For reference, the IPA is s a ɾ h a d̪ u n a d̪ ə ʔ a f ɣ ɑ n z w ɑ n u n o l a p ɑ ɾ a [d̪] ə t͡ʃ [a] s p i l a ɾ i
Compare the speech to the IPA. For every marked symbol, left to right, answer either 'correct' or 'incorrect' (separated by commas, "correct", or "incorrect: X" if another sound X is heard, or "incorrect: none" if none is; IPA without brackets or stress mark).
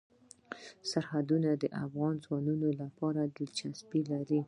correct, correct